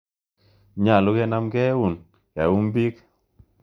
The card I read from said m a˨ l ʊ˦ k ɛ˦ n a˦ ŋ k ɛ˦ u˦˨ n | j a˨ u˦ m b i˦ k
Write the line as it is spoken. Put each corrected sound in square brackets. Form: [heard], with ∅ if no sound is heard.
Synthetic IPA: [ɲ] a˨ l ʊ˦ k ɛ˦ n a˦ [m] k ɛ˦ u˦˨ n | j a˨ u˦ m b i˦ k